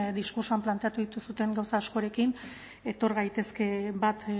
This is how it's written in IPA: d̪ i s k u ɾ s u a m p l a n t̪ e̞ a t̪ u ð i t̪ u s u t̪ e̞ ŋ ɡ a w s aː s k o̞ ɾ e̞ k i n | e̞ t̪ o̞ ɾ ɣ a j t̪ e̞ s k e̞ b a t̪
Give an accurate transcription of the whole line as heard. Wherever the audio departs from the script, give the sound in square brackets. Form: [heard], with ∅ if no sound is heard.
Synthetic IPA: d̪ i s k u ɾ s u a m p l a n t̪ e̞ a t̪ u ð i t̪ u s u t̪ e̞ ŋ ɡ a w s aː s k o̞ ɾ e̞ k i n | e̞ t̪ o̞ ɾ ɣ a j t̪ e̞ s k e̞ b a t̪